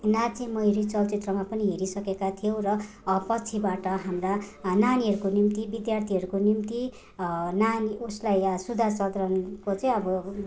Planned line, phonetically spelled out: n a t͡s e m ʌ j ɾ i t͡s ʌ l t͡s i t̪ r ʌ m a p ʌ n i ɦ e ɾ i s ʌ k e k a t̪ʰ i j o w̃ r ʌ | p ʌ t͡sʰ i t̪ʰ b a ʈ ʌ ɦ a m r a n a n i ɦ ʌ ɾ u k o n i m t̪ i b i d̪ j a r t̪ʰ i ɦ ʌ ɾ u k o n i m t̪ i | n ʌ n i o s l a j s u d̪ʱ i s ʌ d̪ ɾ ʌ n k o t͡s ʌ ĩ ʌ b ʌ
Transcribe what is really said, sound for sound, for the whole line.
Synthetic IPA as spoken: n a t͡s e m ʌ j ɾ i t͡s ʌ l t͡s i t̪ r ʌ m a p ʌ n i ɦ e ɾ i s ʌ k e k a t̪ʰ i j o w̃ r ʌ | p ʌ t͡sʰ i b a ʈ ʌ ɦ a m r a n a n i ɦ ʌ ɾ u k o n i m t̪ i b i d̪ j a r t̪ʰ i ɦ ʌ ɾ u k o n i m t̪ i | n a n i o s l a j s u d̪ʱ a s ʌ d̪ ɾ ʌ n k o t͡s ʌ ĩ ʌ b ʌ

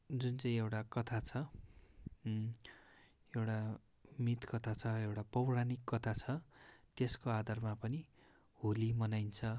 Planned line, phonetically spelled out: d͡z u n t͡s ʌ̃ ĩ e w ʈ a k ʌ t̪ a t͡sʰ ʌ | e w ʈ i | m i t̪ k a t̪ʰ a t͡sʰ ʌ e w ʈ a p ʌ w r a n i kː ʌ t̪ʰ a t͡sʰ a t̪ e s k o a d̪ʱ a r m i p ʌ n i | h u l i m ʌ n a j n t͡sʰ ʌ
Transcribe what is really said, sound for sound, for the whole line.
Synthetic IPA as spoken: d͡z u n t͡s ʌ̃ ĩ e w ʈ a k ʌ t̪ʰ a t͡sʰ ʌ | e w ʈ a | m i t̪ k ʌ t̪ʰ a t͡sʰ ʌ e w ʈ a p ʌ w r a n i kː ʌ t̪ʰ a t͡sʰ ʌ t̪ e s k o a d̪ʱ a r m a p ʌ n i | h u l i m ʌ n a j n t͡sʰ ʌ

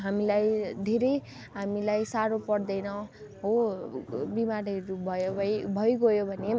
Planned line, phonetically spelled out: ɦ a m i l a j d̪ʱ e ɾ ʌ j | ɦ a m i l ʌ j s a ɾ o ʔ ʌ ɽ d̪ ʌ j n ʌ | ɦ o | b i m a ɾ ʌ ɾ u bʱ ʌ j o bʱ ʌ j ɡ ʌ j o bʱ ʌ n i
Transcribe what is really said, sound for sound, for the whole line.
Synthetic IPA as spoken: ɦ a m i l a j d̪ʱ e ɾ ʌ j | ɦ a m i l a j s a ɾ o p ʌ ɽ d̪ ʌ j n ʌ | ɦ o | b i m a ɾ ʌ ɾ u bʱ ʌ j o bʱ ʌ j ɡ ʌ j o bʱ ʌ n e

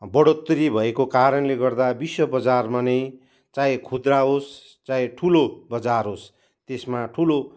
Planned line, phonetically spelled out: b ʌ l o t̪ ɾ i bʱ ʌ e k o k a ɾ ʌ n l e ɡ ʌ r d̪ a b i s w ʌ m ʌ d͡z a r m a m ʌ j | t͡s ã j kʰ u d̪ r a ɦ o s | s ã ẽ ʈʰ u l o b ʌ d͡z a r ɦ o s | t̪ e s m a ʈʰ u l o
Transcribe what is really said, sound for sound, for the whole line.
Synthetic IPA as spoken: b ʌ ɽ o t̪ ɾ i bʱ ʌ e k o k a ɾ ʌ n l e ɡ ʌ r d̪ a b i s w ʌ b ʌ d͡z a r m a n ʌ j | t͡s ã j kʰ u d̪ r a ɦ o s | t͡s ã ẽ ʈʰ u l o b ʌ d͡z a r ɦ o s | t̪ e s m a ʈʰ u l o

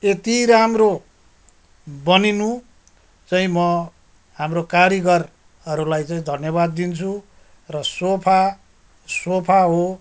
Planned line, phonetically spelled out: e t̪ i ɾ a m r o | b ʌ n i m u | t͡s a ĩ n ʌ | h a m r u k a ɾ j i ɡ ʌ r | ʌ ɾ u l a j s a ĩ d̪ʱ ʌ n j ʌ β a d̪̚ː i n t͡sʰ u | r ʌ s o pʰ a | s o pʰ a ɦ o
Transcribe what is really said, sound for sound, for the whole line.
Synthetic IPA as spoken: e t̪ i ɾ a m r o | b ʌ n i n u | t͡s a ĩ m ʌ | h a m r o k a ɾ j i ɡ ʌ r | ʌ ɾ u l a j t͡s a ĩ d̪ʱ ʌ n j ʌ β a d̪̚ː i n t͡sʰ u | r ʌ s o pʰ a | s o pʰ a ɦ o

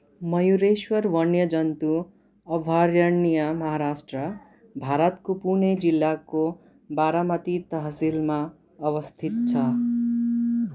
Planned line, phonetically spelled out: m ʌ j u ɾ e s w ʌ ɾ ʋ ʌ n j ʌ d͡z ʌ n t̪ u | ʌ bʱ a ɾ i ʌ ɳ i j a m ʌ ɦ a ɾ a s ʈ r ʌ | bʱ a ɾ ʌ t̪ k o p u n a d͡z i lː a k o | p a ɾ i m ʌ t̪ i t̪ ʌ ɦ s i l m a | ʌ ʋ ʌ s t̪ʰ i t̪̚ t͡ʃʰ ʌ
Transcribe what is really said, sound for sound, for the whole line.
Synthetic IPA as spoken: m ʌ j u ɾ e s w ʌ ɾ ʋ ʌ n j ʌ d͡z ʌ n t̪ u | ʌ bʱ a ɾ j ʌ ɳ i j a m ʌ ɦ a ɾ a s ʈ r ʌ | bʱ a ɾ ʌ t̪ k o p u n e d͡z i lː a k o | b a ɾ a m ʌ t̪ i t̪ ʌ ɦ s i l m a | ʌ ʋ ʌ s t̪ʰ i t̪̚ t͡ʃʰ ʌ

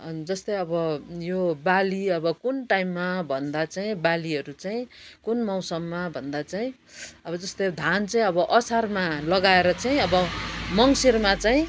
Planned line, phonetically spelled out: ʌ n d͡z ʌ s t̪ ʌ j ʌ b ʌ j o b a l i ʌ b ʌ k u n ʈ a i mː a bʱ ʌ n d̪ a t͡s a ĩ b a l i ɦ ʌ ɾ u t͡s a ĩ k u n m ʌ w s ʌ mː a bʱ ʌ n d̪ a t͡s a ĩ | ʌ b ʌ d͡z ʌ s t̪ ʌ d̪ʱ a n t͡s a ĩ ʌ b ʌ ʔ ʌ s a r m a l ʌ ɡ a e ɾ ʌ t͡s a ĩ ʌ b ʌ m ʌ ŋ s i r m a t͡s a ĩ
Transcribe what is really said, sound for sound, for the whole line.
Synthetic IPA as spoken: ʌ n d͡z ʌ s t̪ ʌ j ʌ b ʌ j o b a l i ʌ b ʌ k u n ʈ a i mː a bʱ ʌ n d̪ a t͡s a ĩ b a l i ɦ ʌ ɾ u t͡s a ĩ k u n m ʌ w s ʌ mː a bʱ ʌ n d̪ a t͡s a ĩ | ʌ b ʌ d͡z ʌ s t̪ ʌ d̪ʱ a n t͡s a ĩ ʌ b ʌ ʔ ʌ s a r m a l ʌ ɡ a e ɾ ʌ t͡s a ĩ ʌ b ʌ m ʌ ŋ s i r m a t͡s a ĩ

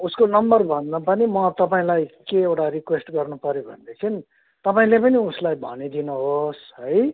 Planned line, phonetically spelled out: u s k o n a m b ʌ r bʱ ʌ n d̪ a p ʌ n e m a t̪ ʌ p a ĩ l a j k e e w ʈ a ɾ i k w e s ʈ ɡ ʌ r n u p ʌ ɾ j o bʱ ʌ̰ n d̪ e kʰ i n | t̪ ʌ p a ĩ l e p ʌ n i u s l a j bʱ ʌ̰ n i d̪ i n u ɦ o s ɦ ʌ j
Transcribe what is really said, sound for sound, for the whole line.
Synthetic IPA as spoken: u s k o n ʌ m b ʌ r bʱ ʌ n d̪ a p ʌ n i m ʌ t̪ ʌ p a ĩ l a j k e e w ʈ a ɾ i k w e s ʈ ɡ ʌ r n u p ʌ ɾ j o bʱ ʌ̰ n d̪ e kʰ i n | t̪ ʌ p a ĩ l e p ʌ n i u s l a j bʱ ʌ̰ n i d̪ i n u ɦ o s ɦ ʌ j

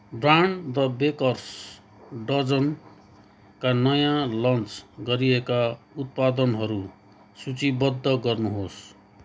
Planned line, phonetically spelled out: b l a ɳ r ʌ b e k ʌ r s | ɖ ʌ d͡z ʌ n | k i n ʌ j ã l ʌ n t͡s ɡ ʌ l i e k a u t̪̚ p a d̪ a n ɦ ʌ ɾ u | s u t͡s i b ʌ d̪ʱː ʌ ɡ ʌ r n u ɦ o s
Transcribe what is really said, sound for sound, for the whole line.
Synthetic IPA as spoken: b r a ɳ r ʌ b e k ʌ r s | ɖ ʌ d͡z ʌ n | k a n ʌ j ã l ʌ n t͡s ɡ ʌ ɾ i e k a u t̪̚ p a d̪ ʌ n ɦ ʌ ɾ u | s u t͡s i b ʌ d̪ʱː ʌ ɡ ʌ r n u ɦ o s

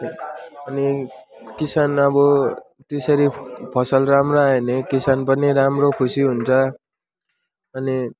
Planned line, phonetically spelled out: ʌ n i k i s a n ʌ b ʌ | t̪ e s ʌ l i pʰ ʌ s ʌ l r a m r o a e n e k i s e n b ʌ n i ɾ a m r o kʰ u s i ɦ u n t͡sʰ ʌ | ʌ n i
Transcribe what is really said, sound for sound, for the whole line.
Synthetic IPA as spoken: ʌ n i k i s a n ʌ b ʌ | t̪ e s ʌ ɾ i pʰ ʌ s ʌ l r a m r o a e n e k i s a n p ʌ n i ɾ a m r o kʰ u s i ɦ u n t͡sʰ ʌ | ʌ n i

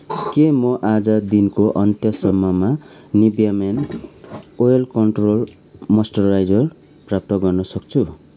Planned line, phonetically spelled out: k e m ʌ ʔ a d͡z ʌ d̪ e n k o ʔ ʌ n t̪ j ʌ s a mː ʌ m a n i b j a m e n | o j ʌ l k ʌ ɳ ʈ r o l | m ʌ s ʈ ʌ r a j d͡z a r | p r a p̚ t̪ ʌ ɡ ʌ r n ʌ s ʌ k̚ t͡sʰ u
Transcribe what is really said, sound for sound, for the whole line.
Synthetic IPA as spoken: k e m ʌ ʔ a d͡z ʌ d̪ i n k o ʔ ʌ n t̪ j ʌ s ʌ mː ʌ m a n i b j a m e n | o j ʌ l k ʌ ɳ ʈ r o l | m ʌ s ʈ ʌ r a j d͡z ʌ r | p r a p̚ t̪ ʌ ɡ ʌ r n ʌ s ʌ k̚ t͡sʰ u

